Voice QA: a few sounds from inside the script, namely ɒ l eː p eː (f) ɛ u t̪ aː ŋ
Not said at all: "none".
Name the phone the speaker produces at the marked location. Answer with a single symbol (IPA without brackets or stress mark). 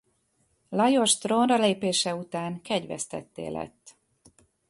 ʃ